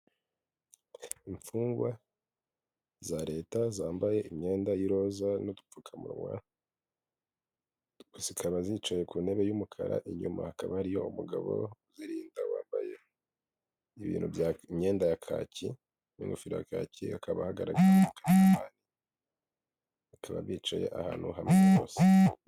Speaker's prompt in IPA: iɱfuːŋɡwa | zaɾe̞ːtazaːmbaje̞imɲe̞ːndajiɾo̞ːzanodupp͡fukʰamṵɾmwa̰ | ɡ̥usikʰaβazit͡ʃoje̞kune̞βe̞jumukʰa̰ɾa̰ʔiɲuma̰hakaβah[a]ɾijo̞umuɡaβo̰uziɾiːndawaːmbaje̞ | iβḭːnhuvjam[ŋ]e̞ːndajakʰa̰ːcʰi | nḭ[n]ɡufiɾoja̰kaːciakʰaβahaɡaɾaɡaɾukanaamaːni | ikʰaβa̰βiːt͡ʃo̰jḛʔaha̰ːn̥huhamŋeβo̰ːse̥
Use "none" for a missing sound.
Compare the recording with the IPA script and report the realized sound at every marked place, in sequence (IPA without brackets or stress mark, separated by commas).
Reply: a, ɲ, ŋ